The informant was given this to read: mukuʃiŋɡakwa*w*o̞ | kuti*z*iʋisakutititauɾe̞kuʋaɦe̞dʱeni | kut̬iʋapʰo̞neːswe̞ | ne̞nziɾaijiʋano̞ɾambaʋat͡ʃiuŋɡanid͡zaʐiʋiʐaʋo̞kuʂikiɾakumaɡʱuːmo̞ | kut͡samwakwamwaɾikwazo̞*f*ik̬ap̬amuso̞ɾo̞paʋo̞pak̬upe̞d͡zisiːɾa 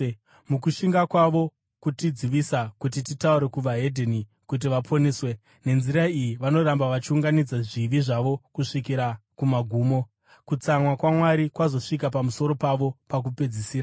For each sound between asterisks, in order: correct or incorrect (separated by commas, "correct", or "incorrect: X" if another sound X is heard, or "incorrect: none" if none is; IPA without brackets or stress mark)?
incorrect: ʋ, incorrect: d͡z, incorrect: ʂ